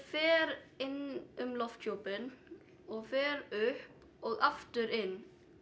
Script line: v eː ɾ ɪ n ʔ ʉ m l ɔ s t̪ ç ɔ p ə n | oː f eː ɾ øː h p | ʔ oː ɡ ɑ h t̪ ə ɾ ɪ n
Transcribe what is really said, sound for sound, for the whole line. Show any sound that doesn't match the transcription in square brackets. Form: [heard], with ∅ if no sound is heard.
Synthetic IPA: [f] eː ɾ ɪ n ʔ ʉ m l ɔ [f] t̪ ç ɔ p ə n | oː f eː ɾ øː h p | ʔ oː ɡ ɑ [f] t̪ ə ɾ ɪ n

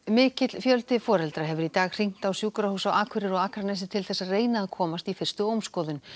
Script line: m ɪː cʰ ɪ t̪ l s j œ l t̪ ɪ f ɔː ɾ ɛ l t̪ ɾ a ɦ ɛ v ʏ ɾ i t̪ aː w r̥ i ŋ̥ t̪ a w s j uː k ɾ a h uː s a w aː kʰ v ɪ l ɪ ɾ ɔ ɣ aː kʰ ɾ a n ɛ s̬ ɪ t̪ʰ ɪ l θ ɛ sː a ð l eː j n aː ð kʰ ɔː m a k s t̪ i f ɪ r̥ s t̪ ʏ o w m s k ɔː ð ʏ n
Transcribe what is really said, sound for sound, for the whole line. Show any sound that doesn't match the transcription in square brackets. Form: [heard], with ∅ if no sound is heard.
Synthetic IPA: m ɪː [c] ɪ t̪ l [f] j œ l t̪ ɪ f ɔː ɾ ɛ l t̪ ɾ a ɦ ɛ v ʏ ɾ i t̪ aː [ɣ] r̥ i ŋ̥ t̪ a w s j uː k ɾ a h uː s a w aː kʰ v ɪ [ɾ] ɪ ɾ ɔ ɣ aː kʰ ɾ a n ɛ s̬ ɪ t̪ʰ ɪ l θ ɛ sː a ð [r] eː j n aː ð kʰ ɔː m a [∅] s t̪ i f ɪ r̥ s t̪ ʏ o w m s k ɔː ð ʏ n

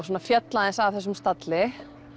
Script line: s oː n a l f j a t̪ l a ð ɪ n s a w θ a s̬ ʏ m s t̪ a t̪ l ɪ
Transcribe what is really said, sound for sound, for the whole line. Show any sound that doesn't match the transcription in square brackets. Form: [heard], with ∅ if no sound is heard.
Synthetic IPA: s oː n a [∅] f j [ɛ] t̪ l a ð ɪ n s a [v] θ [ɛ] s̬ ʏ m s t̪ a t̪ l ɪ

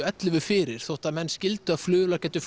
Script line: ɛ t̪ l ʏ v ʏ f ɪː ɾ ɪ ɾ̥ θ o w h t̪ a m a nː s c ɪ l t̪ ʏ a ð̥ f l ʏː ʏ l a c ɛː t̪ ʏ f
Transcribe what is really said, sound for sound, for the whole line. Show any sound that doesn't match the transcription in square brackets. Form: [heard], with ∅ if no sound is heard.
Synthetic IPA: ɛ t̪ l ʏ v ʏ f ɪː ɾ ɪ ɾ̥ θ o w h t̪ a m [ɛ] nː s c ɪ l t̪ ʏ a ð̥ f l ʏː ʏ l a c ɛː t̪ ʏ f

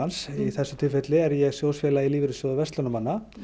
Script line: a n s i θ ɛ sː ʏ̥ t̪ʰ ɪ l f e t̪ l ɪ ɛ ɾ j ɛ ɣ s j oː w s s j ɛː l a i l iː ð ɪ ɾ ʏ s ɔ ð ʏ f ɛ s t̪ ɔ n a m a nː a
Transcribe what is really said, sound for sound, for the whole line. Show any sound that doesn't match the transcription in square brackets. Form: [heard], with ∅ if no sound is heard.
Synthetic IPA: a n s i θ ɛ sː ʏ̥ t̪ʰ ɪ l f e t̪ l ɪ ɛ ɾ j ɛ ɣ s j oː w s [f] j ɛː l a i l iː [v] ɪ ɾ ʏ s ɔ ð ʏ [v] ɛ s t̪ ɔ n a m a nː a

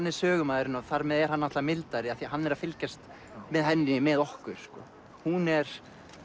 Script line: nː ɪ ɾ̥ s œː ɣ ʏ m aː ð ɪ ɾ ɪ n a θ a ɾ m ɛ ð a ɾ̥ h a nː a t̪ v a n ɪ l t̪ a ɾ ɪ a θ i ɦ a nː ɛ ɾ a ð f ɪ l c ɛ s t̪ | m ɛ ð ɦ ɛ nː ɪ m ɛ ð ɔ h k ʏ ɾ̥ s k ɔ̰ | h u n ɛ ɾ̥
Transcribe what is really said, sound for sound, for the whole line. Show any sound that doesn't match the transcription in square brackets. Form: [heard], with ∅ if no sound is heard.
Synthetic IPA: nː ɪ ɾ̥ s œː ɣ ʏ m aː ð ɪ ɾ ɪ n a θ a ɾ m ɛ ð [ɛ] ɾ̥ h a nː a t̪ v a [m] ɪ l t̪ a ɾ ɪ a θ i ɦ a nː ɛ ɾ a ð f ɪ l c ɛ s t̪ | m ɛ ð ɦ ɛ nː ɪ m ɛ ð ɔ h k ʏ ɾ̥ s k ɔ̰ | h u n ɛ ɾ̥

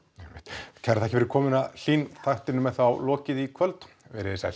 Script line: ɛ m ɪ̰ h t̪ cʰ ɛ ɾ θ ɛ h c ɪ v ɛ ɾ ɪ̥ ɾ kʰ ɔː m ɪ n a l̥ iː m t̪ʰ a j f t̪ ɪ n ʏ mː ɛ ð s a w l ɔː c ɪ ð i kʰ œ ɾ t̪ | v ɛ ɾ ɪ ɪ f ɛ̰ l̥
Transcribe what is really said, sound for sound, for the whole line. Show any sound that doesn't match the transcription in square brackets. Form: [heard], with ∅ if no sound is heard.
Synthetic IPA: ɛ m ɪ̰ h t̪ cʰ ɛ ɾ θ ɛ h c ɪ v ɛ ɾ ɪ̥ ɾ kʰ ɔː m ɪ n a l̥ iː [n] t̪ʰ a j [h] t̪ ɪ n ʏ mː ɛ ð [θ] a w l ɔː c ɪ ð i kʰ œ [l] t̪ | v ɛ ɾ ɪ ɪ [s] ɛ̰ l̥

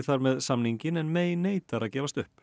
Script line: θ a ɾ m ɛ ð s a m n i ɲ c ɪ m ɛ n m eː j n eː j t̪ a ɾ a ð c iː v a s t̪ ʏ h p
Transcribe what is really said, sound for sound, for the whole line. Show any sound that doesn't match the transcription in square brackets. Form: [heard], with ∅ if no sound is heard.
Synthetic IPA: θ a ɾ m ɛ ð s a m n i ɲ c ɪ [n] ɛ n m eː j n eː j t̪ a ɾ a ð c [ɛː] v a s t̪ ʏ h p

